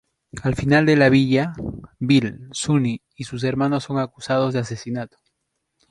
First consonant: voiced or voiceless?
voiced